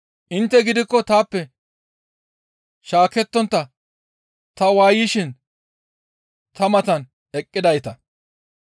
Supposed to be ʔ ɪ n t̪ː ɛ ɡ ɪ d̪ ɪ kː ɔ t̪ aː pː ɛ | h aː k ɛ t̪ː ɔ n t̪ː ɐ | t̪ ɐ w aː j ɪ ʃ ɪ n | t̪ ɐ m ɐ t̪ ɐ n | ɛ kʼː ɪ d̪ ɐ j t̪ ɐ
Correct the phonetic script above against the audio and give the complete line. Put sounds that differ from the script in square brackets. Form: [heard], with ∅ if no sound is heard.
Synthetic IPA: ʔ ɪ n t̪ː ɛ ɡ ɪ d̪ ɪ kː ɔ t̪ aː pː ɛ | [ʃ] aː k ɛ t̪ː ɔ n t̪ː ɐ | t̪ ɐ w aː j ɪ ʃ ɪ n | t̪ ɐ m ɐ t̪ ɐ n | ɛ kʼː ɪ d̪ ɐ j t̪ ɐ